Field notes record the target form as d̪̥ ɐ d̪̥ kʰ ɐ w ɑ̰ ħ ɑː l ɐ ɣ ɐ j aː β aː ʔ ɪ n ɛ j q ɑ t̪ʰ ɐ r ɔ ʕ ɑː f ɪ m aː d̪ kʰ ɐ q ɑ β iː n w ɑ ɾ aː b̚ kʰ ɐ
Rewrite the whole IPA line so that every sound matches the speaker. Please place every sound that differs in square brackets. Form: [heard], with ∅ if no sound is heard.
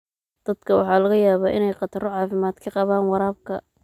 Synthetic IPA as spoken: d̪̥ ɐ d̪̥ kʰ ɐ w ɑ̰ ħ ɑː l ɐ ɣ ɐ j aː β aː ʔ ɪ n ɛ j q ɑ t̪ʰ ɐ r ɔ ʕ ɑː f ɪ m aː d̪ kʰ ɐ q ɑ β [aː] n w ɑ ɾ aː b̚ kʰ ɐ